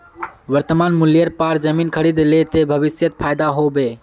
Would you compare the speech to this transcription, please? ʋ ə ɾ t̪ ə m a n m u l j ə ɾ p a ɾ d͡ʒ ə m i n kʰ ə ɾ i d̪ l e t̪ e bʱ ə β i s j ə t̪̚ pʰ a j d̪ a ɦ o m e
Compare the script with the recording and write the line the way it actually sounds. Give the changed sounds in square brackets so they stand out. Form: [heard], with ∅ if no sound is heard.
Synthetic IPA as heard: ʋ ə ɾ t̪ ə m a n m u l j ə ɾ p a ɾ d͡ʒ ə m i n kʰ ə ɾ i d̪ l e t̪ e bʱ ə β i s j ə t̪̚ pʰ a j d̪ a ɦ o [b] e